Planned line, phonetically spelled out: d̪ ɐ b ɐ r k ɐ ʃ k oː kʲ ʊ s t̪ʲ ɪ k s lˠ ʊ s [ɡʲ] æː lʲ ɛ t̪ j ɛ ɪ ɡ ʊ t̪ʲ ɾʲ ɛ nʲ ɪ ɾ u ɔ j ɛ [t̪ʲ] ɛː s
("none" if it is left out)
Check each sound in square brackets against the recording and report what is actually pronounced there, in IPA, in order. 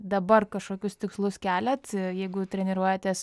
kʲ, t̪ʲ

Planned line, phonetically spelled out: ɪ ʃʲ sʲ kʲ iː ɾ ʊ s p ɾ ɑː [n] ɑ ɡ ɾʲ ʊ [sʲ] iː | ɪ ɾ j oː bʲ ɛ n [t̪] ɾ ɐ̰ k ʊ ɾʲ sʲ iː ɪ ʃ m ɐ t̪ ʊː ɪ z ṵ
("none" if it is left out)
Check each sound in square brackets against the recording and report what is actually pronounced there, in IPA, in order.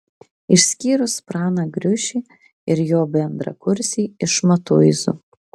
n, ʃʲ, d̪

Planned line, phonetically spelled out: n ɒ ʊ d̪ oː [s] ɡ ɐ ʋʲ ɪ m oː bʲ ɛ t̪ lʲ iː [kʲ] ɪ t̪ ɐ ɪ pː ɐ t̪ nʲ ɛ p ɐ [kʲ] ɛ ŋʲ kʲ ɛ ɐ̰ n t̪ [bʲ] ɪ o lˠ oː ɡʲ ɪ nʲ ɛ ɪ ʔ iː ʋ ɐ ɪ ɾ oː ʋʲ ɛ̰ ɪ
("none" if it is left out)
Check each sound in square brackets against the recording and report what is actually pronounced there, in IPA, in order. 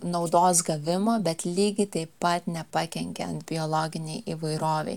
s, ɡʲ, kʲ, bʲ

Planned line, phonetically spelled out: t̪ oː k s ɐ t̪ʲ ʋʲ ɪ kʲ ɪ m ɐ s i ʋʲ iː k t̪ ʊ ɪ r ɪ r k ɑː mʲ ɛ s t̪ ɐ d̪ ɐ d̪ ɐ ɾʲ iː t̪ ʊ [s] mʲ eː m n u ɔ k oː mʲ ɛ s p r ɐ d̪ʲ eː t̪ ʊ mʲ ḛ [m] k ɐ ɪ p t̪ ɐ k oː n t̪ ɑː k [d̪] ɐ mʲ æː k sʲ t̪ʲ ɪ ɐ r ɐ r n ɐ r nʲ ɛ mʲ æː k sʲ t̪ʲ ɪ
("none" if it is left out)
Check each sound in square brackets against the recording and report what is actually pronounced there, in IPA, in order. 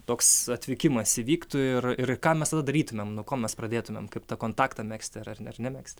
none, m, t̪

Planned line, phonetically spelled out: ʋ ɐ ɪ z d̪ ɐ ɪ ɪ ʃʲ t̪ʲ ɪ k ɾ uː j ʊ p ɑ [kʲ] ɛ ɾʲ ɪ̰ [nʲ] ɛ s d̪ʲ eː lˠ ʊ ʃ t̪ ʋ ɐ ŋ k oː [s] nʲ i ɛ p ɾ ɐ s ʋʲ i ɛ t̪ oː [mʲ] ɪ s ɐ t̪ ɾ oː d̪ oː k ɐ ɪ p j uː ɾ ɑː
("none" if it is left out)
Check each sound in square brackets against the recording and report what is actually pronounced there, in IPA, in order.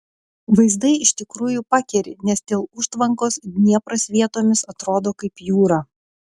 kʲ, nʲ, s, mʲ

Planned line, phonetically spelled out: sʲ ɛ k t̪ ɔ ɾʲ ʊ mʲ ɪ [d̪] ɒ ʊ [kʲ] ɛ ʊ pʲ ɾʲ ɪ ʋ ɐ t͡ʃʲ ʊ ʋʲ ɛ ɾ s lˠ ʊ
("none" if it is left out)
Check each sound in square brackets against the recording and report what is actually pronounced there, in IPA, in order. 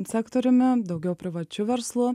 d̪, ɡʲ

